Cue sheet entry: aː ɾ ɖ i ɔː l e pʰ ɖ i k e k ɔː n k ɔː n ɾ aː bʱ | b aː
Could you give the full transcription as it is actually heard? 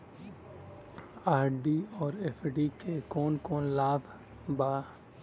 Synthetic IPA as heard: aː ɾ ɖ i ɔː ɾ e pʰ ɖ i k e k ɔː n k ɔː n l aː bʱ | b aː